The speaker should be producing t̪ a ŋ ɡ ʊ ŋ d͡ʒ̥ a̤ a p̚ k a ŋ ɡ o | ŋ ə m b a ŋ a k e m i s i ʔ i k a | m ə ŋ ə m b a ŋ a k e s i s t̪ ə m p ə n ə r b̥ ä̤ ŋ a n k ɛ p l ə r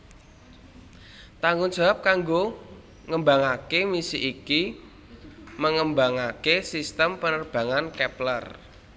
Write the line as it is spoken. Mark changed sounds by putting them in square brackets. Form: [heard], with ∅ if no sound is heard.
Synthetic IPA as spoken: t̪ a ŋ ɡ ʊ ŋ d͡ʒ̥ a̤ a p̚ k a ŋ ɡ o | ŋ ə m b a ŋ a k e m i s i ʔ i k [i] | m ə ŋ ə m b a ŋ a k e s i s t̪ ə m p ə n ə r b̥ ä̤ ŋ a n k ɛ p l ə r